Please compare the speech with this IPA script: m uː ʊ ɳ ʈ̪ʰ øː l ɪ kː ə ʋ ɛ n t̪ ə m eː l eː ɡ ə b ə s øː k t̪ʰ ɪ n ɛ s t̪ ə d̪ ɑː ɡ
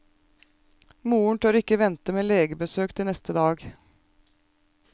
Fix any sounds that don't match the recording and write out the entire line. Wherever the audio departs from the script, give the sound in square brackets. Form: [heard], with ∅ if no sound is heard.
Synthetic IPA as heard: m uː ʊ ɳ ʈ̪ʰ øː [ɾ] ɪ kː ə ʋ ɛ n t̪ ə m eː l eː ɡ ə b ə s øː k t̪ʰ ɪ n ɛ s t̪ ə d̪ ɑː ɡ